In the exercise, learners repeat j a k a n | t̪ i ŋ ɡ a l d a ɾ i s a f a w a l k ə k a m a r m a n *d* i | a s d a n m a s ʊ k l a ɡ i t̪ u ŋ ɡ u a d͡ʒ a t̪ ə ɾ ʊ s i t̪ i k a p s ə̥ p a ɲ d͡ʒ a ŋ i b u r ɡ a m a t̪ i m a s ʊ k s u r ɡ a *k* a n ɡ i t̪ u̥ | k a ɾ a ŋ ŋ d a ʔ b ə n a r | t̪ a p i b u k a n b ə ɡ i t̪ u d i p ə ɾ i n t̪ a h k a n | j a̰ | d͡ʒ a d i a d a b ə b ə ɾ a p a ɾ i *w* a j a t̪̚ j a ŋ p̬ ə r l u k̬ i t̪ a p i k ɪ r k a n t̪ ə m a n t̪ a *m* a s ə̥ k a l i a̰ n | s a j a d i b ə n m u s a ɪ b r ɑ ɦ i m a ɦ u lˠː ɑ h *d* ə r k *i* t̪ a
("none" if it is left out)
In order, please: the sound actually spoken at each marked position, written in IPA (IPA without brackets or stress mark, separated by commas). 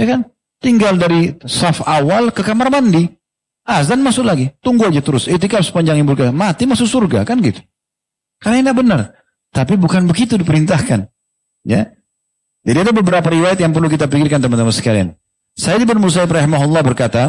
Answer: d, k, w, m, b, a